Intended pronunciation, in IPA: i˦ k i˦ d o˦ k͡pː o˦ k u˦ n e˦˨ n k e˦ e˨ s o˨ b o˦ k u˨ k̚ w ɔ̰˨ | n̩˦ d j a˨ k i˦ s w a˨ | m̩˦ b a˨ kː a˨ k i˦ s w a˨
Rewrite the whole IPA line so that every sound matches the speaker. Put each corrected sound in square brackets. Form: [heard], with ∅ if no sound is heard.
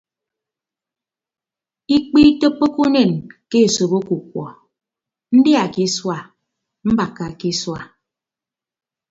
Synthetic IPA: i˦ [k͡p] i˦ [t] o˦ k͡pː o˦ k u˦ n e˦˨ n k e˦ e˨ s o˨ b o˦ k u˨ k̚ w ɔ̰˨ | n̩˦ d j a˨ k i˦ s w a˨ | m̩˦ b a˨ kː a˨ k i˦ s w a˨

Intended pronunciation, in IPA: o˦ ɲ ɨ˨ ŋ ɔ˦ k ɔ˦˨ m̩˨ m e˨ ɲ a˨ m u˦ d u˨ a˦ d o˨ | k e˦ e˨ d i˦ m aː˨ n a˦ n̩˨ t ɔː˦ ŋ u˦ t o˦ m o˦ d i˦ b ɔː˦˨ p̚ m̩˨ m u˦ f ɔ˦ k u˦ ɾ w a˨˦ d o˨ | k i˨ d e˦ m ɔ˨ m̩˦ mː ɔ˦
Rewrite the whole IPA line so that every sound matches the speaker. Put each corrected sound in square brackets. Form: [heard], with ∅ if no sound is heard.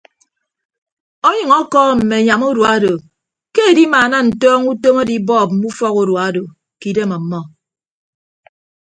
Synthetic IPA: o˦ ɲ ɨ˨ ŋ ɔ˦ k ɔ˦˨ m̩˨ m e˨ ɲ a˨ m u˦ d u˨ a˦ d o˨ | k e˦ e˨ d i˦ m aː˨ n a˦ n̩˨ t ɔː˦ ŋ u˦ t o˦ m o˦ d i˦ b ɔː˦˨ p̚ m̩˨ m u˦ f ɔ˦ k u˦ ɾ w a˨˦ d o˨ | k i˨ d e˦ m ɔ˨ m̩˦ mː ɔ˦

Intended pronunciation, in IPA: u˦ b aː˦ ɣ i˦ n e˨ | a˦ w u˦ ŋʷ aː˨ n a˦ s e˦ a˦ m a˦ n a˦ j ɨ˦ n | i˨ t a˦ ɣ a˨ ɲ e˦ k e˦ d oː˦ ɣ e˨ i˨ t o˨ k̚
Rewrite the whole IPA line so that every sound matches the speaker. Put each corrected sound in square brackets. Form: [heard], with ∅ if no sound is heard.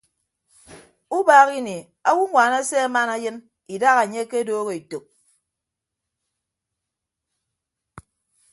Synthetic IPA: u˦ b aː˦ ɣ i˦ n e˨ | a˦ w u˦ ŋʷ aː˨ n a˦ s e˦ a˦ m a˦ n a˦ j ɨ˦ n | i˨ [d] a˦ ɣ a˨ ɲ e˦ k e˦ d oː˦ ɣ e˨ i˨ t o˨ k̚

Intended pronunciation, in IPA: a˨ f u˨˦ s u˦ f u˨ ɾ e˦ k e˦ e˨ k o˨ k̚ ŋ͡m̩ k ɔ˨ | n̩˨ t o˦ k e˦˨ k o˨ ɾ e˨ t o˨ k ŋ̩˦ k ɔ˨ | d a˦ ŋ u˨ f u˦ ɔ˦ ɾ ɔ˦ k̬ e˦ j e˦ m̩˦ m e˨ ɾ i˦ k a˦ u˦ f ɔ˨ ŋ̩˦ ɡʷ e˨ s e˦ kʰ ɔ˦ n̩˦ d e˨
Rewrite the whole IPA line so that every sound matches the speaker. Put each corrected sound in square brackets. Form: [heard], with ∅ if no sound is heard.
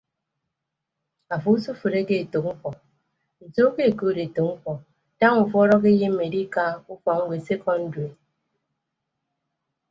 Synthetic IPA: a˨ f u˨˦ s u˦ f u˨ ɾ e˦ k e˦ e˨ [t] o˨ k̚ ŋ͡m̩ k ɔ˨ | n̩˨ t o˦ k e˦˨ k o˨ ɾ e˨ t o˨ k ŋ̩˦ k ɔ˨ | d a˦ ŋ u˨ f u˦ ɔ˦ ɾ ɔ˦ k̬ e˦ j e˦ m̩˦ m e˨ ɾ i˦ k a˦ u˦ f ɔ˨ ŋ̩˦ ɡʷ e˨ s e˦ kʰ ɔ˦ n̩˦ d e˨

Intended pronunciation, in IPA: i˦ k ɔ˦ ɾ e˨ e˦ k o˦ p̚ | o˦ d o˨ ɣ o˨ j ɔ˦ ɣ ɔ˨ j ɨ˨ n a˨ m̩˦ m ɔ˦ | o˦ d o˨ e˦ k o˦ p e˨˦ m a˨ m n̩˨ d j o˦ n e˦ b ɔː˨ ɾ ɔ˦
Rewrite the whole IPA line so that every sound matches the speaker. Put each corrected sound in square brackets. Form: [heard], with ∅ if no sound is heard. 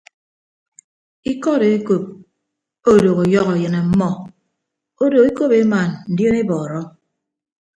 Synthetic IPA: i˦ k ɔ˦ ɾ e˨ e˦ k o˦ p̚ | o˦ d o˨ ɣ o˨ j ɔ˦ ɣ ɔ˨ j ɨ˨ n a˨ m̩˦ m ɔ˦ | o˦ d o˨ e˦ k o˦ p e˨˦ m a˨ [n] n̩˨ d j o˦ n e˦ b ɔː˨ ɾ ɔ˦

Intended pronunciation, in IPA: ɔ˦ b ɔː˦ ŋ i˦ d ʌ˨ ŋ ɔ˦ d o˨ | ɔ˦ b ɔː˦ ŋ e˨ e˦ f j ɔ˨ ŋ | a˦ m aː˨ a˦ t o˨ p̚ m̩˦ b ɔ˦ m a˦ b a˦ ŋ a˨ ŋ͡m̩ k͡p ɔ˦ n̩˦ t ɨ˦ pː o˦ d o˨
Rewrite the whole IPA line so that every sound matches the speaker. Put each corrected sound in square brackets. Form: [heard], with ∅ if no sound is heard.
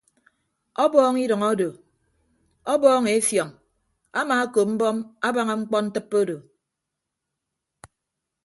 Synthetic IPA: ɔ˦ b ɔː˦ ŋ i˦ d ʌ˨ ŋ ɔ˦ d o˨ | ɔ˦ b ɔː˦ ŋ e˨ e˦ f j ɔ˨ ŋ | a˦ m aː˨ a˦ [k] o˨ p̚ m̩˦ b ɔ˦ m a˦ b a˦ ŋ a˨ ŋ͡m̩ k͡p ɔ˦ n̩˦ t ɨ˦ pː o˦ d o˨

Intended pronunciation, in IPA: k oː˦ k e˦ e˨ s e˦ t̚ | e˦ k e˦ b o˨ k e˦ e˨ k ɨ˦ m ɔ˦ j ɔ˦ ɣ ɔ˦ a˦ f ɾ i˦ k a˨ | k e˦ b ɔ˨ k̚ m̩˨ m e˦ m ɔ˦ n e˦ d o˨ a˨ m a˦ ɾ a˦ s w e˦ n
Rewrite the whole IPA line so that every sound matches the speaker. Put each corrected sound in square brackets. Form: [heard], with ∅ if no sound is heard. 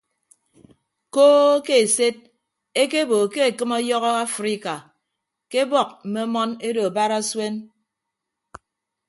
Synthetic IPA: k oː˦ k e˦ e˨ s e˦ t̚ | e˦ k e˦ b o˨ k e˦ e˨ k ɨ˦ m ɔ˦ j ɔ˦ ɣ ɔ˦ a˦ f ɾ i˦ k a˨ | k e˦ b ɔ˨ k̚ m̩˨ m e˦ m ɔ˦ n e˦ d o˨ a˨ [b] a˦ ɾ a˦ s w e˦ n

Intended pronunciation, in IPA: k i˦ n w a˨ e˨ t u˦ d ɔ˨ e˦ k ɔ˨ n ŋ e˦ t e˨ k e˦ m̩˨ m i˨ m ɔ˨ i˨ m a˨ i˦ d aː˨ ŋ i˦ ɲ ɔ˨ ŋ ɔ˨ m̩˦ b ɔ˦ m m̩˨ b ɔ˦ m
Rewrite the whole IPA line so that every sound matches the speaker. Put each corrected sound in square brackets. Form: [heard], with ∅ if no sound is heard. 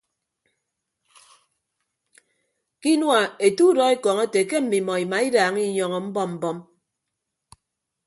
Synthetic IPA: k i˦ n w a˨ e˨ t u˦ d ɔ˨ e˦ k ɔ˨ [∅] ŋ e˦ t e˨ k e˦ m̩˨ m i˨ m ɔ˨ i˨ m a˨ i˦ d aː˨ ŋ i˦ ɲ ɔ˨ ŋ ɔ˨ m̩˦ b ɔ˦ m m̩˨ b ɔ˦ m

